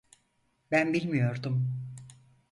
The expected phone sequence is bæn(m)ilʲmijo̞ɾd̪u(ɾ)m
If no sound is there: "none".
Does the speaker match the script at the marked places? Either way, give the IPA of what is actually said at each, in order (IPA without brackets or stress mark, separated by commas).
b, none